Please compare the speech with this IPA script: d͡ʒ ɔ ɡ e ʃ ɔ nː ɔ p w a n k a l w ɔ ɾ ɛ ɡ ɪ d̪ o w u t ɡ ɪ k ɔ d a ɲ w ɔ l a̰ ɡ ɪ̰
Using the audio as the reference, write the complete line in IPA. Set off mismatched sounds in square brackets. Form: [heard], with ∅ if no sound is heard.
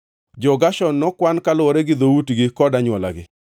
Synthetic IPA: d͡ʒ ɔ ɡ [a] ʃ ɔ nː ɔ [k] w a n k a l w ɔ ɾ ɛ ɡ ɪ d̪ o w u t ɡ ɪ k ɔ d a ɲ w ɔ l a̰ ɡ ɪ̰